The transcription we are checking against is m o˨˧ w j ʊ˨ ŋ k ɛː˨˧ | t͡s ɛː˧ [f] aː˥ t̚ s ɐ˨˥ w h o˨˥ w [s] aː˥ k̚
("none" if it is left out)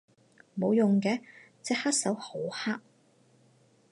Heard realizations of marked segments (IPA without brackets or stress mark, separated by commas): h, h